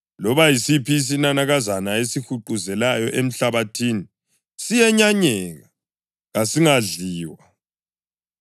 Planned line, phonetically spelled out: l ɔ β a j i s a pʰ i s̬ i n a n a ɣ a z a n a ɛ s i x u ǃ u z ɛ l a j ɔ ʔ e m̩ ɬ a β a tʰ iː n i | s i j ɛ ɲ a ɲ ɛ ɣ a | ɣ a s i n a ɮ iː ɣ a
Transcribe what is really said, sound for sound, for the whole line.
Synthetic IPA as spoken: l ɔ β a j i s i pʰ i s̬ i n a n a ɣ a z a n a e s i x u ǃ u z ɛ l a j ɔ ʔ e m̩ ɬ a β a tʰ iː n i | s i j ɛ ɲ a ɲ ɛ ɣ a | ɣ a s i ŋ a ɮ iː w a

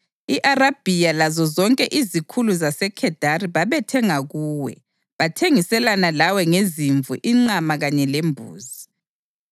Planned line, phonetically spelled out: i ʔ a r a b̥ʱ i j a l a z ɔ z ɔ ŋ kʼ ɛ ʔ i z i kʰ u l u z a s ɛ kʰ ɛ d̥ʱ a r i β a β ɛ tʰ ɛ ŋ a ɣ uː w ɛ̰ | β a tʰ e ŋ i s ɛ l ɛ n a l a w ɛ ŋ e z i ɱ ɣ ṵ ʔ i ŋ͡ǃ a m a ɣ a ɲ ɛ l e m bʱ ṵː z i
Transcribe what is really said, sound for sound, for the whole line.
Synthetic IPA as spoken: i ʔ a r a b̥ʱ i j a l a z ɔ z ɔ ŋ kʼ ɛ ʔ i z i kʰ u l u z a s ɛ kʰ ɛ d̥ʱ a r i β a β ɛ tʰ ɛ ŋ a ɣ uː w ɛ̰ | β a tʰ e ŋ i s ɛ l a n a l a w ɛ ŋ e z i ɱ v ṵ ʔ i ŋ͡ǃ a m a ɣ a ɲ ɛ l e m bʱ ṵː z i

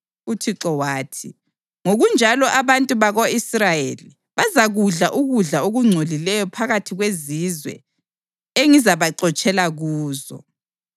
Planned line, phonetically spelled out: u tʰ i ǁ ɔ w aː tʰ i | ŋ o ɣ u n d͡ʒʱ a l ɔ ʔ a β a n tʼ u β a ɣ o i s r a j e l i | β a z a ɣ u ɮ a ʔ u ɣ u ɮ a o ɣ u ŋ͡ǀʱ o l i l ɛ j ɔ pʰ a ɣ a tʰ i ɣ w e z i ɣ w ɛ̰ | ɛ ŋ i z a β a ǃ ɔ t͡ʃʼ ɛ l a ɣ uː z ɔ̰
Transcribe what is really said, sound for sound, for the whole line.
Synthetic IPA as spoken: u tʰ i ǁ ɔ w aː tʰ i | ŋ o ɣ u n d͡ʒʱ a l ɔ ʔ a β a n tʼ u β a ɣ o i s r a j e l i | β a z a ɣ u ɮ a ʔ u ɣ u ɮ a o ɣ u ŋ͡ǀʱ o l i l ɛ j ɔ pʰ a ɣ a tʰ i ɣ w e z i z w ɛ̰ | e ŋ i z a β a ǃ ɔ t͡ʃʼ ɛ l a ɣ uː z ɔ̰

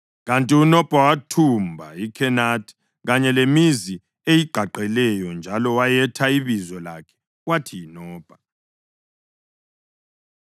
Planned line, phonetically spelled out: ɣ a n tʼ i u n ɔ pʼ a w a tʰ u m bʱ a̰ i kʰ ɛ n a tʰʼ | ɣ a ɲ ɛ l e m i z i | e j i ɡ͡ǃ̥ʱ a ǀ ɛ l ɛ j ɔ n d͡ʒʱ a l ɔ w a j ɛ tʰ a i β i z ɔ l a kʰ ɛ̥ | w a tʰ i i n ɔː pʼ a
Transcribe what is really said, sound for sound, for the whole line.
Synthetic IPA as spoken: ɣ a n tʼ i u n ɔ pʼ a w a tʰ u m bʱ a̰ i kʰ ɛ n a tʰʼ | ɣ a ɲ ɛ l e m i z i | e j i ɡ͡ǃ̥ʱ a ǃ ɛ l ɛ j ɔ n d͡ʒʱ a l ɔ w a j ɛ tʰ a i β i z ɔ l a kʰ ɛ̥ | w a tʰ i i n ɔː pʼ a

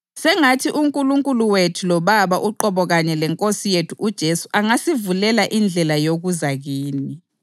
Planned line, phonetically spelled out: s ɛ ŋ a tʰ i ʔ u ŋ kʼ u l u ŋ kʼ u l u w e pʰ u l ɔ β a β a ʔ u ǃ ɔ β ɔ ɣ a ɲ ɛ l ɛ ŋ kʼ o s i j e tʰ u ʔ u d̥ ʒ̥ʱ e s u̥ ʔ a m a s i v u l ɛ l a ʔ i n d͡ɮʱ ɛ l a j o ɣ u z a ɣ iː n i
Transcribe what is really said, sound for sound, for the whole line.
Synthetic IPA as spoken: s ɛ ŋ a tʰ i ʔ u ŋ kʼ u l u ŋ kʼ u l u w e tʰ u l ɔ β a β a ʔ u ǃ ɔ β ɔ ɣ a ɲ ɛ l ɛ ŋ kʼ o s i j e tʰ u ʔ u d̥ ʒ̥ʱ e s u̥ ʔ a ŋ a s i v u l ɛ l a ʔ i n d͡ɮʱ ɛ l a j o ɣ u z a ɣ iː n i

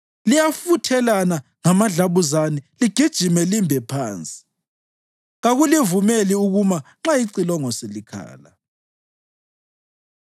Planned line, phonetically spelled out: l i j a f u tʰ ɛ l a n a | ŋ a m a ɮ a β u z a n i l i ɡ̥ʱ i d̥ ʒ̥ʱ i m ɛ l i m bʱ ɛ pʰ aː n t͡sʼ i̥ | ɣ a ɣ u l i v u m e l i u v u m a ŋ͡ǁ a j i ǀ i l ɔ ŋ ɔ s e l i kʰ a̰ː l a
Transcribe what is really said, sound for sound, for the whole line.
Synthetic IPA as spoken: l i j a f u tʰ ɛ l a n a | ŋ a m a ɮ a β u z a n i l i ɡ̥ʱ i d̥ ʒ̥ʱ i m ɛ l i m bʱ ɛ pʰ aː n t͡sʼ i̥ | ɣ a ɣ u l i v u m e l i u ɣ u m a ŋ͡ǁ a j i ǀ i l ɔ ŋ ɔ s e l i kʰ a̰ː l a

